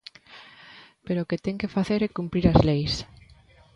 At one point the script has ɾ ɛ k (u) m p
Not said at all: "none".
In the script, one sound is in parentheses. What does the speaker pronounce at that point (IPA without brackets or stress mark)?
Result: u